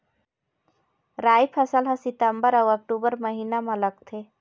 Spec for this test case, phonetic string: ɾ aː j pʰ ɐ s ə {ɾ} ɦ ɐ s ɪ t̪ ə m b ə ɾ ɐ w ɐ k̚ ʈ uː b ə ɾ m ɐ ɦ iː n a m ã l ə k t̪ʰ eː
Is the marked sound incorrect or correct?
incorrect